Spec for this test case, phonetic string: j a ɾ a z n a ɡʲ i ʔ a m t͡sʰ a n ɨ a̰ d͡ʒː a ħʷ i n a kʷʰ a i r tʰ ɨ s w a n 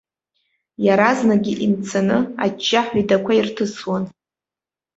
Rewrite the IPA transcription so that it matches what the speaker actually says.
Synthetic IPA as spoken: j a ɾ a z n a ɡʲ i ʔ i m t͡sʰ a n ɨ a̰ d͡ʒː a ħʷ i d a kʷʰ a i r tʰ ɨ s w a n